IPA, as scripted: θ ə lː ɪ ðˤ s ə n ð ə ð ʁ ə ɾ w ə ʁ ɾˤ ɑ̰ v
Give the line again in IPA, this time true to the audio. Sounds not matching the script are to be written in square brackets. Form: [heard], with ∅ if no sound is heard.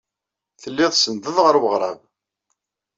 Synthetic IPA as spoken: θ ə lː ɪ ðˤ s ə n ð ə ð ʁ ə ɾ w ə ʁ ɾˤ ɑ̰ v

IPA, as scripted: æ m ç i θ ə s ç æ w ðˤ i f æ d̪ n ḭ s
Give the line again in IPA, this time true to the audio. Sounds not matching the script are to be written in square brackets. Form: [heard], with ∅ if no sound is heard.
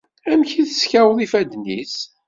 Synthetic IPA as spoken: æ m ç i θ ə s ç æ w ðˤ i f æ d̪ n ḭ s

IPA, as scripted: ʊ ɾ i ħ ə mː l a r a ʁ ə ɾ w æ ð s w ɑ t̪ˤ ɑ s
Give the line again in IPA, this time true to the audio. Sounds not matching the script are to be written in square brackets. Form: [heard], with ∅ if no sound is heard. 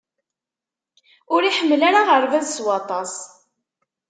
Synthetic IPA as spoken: ʊ ɾ i ħ ə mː l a [ɾ] a ʁ ə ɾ [v] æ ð s w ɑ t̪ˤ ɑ s

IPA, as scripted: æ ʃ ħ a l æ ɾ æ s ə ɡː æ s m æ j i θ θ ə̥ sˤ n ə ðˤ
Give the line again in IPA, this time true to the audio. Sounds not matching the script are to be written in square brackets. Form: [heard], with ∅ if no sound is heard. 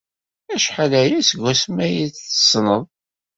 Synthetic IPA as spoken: æ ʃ ħ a l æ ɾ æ s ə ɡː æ s m æ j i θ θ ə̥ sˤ n ə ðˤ

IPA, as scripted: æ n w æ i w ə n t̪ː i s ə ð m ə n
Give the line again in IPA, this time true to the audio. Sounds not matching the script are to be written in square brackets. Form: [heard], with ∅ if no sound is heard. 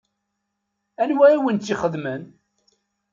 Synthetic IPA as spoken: æ n w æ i w ə n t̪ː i [χ] ə ð m ə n

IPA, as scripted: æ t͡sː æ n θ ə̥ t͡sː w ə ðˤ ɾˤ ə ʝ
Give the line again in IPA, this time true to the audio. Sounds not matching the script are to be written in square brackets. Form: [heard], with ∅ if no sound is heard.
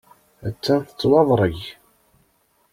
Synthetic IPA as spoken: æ t͡sː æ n θ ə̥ t͡sː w [ɑ] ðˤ ɾˤ ə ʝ

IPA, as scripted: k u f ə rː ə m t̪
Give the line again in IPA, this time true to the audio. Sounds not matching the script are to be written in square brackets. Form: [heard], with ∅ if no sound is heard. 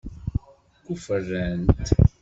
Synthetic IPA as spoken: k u f ə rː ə [n] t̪

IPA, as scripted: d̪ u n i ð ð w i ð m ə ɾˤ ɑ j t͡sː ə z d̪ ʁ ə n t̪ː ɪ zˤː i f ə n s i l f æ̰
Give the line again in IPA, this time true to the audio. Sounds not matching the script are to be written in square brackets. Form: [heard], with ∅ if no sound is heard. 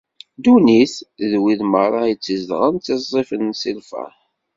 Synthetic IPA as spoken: d̪ u n i [θ] ð w i ð m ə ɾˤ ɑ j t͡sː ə z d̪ ʁ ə n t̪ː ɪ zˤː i f ə n s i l f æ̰

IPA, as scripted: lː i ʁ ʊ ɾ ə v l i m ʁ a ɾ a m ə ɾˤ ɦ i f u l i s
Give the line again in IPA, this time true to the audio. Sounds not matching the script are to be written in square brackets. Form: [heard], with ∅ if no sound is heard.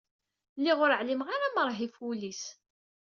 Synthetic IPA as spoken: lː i ʁ ʊ ɾ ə [ʕ] l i m ʁ a ɾ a m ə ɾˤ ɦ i f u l i s

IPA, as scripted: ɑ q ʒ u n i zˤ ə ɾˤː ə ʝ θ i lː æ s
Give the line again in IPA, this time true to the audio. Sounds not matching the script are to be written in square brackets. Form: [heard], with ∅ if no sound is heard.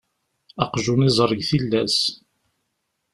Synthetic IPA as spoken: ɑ q ʒ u n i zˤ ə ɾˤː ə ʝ θ i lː æ s

